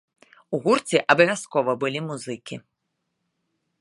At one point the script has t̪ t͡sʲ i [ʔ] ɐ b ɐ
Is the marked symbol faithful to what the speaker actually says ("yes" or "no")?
yes